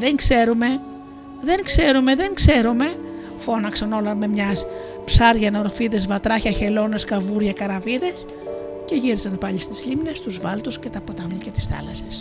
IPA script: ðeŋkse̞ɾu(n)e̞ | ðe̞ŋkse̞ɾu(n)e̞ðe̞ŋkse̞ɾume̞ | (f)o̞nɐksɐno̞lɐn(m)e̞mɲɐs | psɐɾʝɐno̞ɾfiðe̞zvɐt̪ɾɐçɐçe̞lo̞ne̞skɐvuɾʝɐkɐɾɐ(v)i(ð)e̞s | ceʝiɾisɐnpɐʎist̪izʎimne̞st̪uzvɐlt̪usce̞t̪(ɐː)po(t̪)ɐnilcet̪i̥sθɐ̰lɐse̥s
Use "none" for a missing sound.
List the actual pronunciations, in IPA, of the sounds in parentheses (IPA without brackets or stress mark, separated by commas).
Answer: m, m, f, m, v, ð, ɐ, t̪